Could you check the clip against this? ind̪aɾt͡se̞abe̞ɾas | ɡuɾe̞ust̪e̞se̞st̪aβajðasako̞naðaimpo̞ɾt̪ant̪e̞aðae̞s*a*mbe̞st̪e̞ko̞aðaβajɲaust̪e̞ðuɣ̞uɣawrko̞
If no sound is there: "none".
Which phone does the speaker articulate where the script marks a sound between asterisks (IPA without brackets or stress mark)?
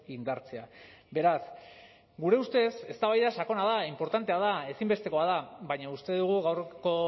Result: i